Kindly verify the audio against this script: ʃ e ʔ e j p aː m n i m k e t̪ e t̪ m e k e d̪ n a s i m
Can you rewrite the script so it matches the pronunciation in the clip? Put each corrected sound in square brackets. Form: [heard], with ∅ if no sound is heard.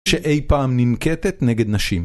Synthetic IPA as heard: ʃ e ʔ e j p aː m n i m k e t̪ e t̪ [n] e [ɡ] e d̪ n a [ʃ] i m